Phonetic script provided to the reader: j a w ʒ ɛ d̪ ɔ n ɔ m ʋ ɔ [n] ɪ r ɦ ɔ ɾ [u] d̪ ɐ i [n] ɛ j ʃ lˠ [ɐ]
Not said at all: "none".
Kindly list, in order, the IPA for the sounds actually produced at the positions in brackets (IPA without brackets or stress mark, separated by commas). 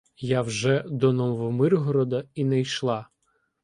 m, ɔ, n, ɑ